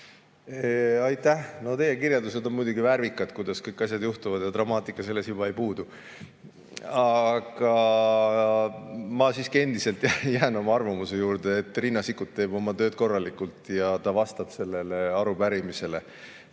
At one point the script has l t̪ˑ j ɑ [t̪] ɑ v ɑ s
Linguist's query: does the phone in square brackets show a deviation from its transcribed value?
no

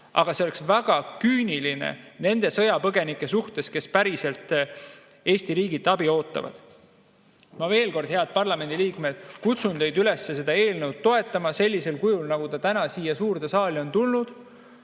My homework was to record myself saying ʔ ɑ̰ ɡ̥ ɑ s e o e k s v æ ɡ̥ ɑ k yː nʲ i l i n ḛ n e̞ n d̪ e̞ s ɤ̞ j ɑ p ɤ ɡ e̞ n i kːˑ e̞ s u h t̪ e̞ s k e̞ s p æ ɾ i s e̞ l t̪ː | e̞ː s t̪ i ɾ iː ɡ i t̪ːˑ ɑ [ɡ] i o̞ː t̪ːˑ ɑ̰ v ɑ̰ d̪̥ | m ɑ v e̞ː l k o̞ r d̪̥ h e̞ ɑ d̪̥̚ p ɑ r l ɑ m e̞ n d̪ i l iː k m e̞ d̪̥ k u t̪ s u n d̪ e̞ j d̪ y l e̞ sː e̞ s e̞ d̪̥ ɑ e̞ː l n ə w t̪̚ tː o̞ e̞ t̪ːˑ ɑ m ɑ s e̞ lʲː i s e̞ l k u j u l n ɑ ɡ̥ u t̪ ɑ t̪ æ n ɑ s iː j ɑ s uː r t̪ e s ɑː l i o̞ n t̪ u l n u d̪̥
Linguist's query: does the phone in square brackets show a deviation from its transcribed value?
yes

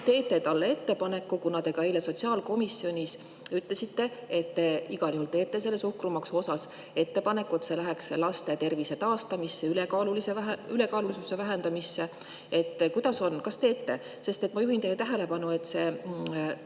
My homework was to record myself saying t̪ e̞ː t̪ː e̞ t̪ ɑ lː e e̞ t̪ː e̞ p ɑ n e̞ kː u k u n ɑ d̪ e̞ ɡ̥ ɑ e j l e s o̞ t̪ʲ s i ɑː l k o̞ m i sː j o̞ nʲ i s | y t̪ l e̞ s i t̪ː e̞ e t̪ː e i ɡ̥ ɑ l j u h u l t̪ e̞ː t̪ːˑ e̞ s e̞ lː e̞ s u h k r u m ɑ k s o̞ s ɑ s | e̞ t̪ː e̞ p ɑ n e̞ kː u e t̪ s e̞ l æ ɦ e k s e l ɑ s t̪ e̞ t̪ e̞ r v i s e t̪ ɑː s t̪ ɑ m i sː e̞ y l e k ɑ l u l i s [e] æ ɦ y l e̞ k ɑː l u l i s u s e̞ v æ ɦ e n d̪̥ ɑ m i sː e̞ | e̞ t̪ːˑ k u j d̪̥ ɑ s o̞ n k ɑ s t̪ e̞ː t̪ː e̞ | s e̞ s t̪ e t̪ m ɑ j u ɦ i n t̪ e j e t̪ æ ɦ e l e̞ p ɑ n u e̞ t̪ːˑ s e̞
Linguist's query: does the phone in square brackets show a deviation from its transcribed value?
no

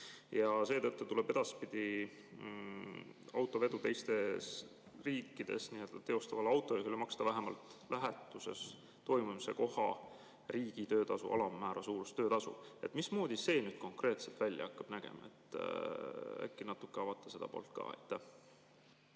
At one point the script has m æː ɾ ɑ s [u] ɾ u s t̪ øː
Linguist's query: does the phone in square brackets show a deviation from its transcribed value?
yes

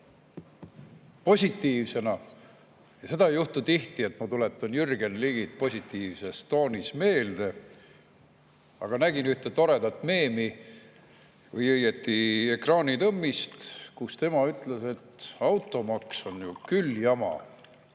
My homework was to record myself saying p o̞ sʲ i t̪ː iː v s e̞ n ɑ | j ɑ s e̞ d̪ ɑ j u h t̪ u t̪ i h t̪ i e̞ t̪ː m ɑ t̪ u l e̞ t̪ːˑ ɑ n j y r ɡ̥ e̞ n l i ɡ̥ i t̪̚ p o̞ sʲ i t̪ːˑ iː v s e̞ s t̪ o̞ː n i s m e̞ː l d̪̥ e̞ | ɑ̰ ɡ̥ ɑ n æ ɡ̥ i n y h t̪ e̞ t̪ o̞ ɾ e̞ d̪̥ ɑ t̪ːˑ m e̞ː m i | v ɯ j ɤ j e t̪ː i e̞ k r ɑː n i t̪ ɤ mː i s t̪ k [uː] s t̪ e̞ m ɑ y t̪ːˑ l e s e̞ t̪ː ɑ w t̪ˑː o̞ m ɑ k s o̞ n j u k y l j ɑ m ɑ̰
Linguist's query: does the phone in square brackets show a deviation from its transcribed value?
yes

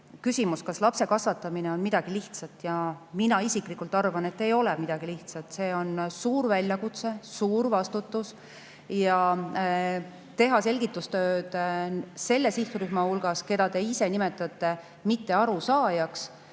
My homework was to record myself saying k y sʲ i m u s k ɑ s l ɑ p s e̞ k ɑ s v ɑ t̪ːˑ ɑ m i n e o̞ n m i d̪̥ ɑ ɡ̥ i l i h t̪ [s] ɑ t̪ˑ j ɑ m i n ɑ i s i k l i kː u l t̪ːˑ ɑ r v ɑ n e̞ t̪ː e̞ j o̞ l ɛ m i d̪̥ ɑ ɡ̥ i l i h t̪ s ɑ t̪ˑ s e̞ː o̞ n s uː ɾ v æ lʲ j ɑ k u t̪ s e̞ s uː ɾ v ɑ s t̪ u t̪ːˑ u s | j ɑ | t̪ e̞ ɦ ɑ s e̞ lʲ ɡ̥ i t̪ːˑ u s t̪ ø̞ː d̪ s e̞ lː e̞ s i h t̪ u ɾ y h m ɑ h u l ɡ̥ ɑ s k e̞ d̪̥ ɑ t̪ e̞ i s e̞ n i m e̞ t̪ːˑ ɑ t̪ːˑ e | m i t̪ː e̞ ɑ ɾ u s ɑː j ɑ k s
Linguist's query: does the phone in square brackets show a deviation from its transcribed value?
no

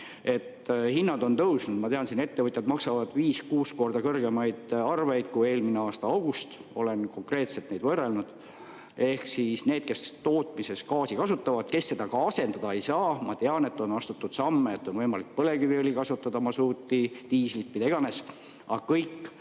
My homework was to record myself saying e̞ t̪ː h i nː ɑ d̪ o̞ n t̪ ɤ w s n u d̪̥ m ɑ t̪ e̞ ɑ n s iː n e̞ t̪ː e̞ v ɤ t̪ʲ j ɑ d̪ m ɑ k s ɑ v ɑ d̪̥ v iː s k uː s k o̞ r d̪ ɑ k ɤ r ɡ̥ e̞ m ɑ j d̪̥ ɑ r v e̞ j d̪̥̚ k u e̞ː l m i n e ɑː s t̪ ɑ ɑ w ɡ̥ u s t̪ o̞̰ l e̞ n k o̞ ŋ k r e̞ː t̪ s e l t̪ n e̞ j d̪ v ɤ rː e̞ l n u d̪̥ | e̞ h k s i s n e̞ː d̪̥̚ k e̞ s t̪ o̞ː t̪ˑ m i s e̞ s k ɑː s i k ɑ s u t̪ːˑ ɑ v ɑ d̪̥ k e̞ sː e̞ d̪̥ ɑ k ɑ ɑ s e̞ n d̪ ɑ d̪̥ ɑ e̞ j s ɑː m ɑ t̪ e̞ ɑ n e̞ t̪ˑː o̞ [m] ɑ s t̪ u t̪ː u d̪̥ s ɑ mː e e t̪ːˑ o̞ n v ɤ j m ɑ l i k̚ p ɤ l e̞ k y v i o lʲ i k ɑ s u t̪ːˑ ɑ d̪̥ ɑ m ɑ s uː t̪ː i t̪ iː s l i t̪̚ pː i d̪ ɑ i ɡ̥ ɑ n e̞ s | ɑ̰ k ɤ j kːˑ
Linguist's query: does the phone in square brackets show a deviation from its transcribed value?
yes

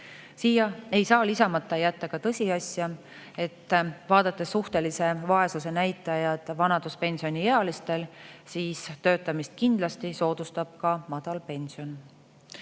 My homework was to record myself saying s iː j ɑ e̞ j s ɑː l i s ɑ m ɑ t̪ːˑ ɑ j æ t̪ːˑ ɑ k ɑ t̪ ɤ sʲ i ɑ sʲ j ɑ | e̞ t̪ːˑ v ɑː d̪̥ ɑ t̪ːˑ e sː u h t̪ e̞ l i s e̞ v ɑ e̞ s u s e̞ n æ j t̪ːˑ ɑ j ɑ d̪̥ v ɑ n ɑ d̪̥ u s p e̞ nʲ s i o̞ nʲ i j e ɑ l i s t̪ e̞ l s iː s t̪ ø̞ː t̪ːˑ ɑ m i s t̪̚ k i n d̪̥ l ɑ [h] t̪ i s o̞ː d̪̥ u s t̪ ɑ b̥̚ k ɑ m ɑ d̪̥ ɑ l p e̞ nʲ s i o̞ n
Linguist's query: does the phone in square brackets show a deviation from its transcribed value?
yes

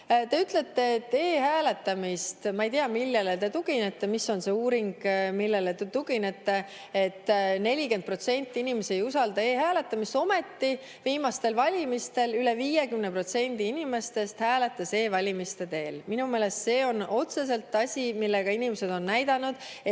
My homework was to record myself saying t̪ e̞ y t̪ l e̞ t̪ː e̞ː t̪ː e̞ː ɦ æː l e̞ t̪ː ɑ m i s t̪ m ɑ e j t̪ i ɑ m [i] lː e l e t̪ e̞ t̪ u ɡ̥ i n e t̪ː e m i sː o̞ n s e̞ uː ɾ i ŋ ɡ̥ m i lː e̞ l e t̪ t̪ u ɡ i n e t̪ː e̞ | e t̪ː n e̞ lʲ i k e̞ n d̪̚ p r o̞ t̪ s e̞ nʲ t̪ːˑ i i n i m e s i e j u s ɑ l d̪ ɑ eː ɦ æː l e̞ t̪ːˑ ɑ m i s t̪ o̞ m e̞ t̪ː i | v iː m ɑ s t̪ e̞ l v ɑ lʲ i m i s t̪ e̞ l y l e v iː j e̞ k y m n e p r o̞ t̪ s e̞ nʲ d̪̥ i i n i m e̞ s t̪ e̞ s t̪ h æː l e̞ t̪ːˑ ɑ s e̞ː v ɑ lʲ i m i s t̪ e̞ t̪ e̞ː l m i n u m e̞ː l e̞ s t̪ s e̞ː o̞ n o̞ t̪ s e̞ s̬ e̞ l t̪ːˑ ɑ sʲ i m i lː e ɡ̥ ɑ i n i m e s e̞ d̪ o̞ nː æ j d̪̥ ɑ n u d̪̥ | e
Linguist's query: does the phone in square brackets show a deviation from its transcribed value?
no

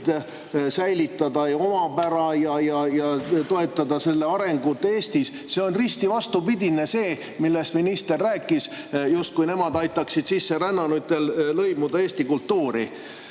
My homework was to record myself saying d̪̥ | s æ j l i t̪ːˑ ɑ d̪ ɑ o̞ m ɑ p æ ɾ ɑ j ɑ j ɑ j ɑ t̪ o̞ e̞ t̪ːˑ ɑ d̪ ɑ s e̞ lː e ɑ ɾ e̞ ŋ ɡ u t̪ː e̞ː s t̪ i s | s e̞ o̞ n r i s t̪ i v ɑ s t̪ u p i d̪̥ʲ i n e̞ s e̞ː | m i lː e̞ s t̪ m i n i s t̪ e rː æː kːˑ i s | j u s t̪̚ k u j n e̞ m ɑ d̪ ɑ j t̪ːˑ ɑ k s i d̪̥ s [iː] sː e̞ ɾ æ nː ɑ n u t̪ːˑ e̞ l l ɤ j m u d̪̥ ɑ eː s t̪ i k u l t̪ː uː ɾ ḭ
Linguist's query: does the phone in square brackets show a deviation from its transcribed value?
yes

